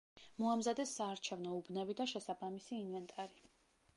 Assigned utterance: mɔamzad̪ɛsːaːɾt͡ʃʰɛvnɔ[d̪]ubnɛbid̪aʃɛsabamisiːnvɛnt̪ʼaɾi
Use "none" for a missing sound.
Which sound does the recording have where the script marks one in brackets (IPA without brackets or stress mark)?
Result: none